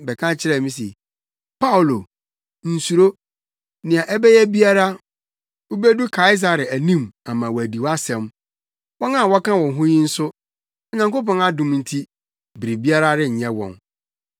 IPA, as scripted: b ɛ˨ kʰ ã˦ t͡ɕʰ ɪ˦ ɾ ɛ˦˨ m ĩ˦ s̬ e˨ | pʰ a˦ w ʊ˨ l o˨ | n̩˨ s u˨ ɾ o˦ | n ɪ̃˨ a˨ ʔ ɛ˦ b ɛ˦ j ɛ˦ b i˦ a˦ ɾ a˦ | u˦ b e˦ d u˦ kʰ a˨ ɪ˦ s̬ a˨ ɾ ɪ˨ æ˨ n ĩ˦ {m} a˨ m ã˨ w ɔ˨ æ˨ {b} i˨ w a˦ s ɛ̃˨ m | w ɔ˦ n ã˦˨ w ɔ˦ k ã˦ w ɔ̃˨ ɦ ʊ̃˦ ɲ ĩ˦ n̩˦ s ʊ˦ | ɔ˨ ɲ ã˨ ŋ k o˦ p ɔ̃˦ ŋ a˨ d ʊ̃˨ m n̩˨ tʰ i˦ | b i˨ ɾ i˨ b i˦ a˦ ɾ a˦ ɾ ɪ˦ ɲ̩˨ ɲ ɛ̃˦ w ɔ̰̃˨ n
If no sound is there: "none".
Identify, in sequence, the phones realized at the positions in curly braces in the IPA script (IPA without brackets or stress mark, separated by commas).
m, d